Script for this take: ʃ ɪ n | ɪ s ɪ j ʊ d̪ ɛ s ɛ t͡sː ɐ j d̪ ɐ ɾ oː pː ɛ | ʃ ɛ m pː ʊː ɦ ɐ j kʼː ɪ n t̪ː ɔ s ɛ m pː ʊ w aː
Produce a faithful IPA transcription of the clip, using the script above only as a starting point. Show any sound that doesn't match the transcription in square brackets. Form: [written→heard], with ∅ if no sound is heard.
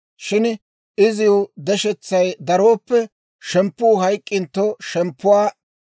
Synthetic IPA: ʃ ɪ n | ɪ [s→z] ɪ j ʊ d̪ ɛ [s→ʃ] ɛ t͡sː ɐ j d̪ ɐ ɾ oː pː ɛ | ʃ ɛ m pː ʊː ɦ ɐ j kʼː ɪ n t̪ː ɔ [s→ʃ] ɛ m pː ʊ w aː